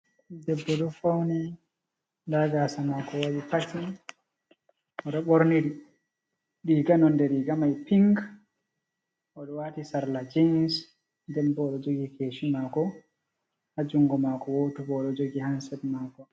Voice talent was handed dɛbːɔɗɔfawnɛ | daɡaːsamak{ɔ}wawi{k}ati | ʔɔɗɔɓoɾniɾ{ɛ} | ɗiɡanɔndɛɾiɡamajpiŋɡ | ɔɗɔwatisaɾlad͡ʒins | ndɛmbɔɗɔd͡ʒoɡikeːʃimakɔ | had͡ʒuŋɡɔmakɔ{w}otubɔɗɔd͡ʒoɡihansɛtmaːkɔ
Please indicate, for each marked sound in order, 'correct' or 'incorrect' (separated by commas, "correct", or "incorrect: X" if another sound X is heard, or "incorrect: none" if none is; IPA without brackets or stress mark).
correct, incorrect: p, incorrect: i, correct